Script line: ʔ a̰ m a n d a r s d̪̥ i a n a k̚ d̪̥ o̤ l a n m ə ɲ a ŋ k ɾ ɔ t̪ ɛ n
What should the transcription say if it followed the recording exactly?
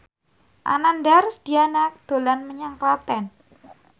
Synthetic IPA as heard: ʔ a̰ n a n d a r s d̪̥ i a n a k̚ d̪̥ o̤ l a n m ə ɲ a ŋ k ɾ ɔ t̪ ɛ n